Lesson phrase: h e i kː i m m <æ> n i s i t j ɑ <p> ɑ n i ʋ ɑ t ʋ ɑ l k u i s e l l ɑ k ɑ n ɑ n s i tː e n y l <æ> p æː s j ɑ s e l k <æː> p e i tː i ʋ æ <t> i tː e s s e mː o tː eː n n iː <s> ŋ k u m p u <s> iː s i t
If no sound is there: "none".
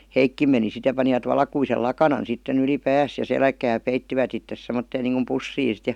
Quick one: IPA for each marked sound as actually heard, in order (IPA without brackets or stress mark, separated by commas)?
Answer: e, p, i, æː, t, none, sː